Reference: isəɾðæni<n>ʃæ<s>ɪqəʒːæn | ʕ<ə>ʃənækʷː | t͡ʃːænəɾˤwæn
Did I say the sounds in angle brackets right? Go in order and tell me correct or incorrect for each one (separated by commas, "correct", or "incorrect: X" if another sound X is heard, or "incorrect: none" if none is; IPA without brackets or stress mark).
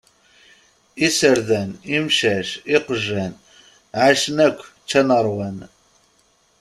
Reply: incorrect: m, incorrect: ʃ, incorrect: a